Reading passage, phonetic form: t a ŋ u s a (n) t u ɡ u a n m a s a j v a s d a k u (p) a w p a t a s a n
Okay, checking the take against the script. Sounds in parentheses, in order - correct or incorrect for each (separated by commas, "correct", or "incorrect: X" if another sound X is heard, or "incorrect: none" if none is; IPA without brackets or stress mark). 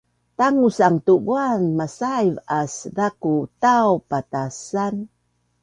incorrect: ŋ, incorrect: t